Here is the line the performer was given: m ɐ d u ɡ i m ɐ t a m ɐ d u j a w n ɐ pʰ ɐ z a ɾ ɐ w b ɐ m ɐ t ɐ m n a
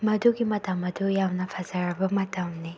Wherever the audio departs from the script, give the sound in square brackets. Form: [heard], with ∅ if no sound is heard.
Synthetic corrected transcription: m ɐ d u ɡ i m ɐ t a m ɐ d u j a w n ɐ pʰ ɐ z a ɾ ɐ [∅] b ɐ m ɐ t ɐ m n [i]